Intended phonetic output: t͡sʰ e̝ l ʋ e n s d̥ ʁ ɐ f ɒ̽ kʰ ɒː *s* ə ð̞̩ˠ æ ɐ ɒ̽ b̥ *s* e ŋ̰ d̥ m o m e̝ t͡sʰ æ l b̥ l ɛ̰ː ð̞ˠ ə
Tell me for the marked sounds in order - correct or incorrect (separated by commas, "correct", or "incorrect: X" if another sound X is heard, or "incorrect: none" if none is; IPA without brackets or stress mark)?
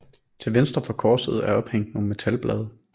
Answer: correct, incorrect: h